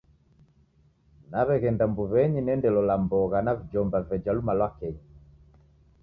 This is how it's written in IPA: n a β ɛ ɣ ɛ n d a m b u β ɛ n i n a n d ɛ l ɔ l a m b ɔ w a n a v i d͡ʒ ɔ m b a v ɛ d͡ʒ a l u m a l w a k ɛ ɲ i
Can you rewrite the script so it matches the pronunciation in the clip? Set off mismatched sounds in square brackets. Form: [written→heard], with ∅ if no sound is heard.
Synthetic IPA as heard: n a β ɛ ɣ ɛ n d a m b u β ɛ [n→ɲ] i n [a→ɛ] n d ɛ l ɔ l a m b ɔ [w→ɣ] a n a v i d͡ʒ ɔ m b a v ɛ d͡ʒ a l u m a l w a k ɛ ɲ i